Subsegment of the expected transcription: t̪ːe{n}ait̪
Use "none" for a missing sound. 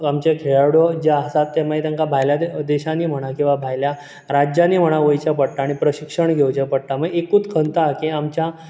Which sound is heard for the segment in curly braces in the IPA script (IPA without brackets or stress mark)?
m